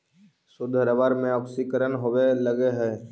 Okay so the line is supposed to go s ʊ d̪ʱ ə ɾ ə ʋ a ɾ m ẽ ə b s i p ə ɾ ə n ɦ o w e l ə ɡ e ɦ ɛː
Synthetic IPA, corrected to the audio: s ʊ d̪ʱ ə ɾ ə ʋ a ɾ m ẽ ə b s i k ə ɾ ə n ɦ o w e l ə ɡ e ɦ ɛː

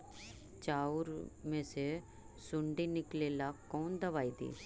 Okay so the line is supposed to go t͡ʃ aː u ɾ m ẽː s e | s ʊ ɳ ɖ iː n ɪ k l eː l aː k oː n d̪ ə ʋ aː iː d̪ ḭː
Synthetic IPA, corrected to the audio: t͡ʃ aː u ɾ m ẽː s e | s ʊ ɳ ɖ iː n ɪ k l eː l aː k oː n d̪ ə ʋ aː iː d̪ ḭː

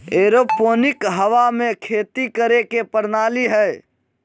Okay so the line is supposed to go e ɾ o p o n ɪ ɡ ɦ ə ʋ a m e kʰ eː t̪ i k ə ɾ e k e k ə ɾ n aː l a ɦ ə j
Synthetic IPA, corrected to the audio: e ɾ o p o n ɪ k ɦ ə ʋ a m e kʰ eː t̪ i k ə ɾ e k e p ə ɾ n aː l i ɦ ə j

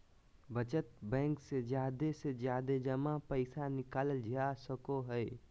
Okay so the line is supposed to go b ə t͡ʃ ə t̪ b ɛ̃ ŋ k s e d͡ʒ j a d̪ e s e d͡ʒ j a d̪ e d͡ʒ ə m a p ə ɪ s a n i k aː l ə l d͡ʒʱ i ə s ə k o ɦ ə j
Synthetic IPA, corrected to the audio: b ə t͡ʃ ə t̪ b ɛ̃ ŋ k s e d͡ʒ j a d̪ e s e d͡ʒ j a d̪ e d͡ʒ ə m a p ə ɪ s a n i k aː l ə l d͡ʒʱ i a s ə k o ɦ ə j

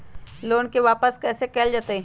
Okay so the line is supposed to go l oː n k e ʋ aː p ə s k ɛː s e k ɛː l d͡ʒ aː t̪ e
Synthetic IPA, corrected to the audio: l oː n k e ʋ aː p ə s k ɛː s e k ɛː l d͡ʒ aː t̪ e

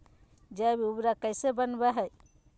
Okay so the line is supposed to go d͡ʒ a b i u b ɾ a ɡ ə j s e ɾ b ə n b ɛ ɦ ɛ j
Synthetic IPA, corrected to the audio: d͡ʒ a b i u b ɾ a k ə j s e b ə n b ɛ ɦ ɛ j

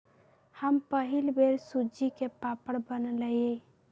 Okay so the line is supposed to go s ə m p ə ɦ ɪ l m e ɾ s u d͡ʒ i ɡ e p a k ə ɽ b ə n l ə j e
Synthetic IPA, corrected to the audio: h ə m p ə ɦ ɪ l b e ɾ s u d͡ʒ i k e p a p ə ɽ b ə n l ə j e

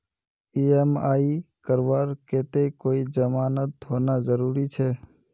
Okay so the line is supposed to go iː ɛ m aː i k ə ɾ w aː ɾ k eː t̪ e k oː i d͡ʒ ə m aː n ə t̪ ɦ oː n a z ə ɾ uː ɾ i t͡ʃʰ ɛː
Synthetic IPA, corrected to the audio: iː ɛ m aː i k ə ɾ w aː ɾ k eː t̪ e k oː i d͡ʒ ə m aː n ə t̪ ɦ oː n a z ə ɾ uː ɾ i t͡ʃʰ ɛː

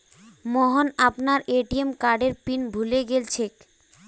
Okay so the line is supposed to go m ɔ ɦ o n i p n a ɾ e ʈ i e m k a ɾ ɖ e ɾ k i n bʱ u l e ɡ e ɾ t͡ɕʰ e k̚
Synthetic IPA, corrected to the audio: m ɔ ɦ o n a p n a ɾ e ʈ i e m k a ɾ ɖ e ɾ p i n bʱ u l e ɡ e l t͡ɕʰ e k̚

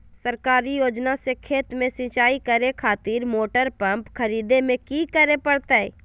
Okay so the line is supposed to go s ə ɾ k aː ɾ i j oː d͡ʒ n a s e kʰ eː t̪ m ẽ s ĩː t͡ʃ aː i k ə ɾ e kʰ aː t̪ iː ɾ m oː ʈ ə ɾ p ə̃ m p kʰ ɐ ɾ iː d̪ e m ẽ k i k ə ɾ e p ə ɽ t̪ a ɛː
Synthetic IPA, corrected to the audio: s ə ɾ k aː ɾ i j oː d͡ʒ n a s e kʰ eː t̪ m ẽ s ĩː t͡ʃ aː i k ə ɾ e kʰ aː t̪ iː ɾ m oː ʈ ə ɾ p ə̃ m p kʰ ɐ ɾ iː d̪ e m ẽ k i k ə ɾ e p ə ɽ t̪ a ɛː

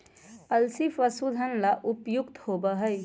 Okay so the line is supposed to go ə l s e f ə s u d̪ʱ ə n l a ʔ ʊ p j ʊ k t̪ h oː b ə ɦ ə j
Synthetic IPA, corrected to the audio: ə l s i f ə s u d̪ʱ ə n l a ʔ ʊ p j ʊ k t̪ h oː b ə ɦ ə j

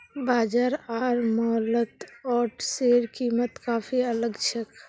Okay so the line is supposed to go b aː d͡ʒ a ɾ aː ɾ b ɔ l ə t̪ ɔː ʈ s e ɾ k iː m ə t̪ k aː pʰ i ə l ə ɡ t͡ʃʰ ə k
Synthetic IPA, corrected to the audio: b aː d͡ʒ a ɾ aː ɾ m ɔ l ə t̪ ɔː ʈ s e ɾ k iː m ə t̪ k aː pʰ i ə l ə ɡ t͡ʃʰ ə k

